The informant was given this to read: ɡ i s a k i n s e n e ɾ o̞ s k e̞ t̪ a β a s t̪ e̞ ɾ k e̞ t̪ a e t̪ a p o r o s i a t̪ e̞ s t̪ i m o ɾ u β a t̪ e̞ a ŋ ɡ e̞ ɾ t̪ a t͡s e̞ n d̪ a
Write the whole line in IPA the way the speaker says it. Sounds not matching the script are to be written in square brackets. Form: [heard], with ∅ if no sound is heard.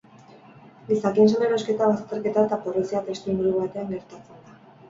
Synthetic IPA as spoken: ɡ i s a k i n s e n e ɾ o̞ s k e̞ t̪ a β a s t̪ e̞ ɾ k e̞ t̪ a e t̪ a p o r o s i a t̪ e̞ s t̪ i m [u] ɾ u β a t̪ e̞ a ŋ ɡ e̞ ɾ t̪ a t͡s e̞ n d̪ a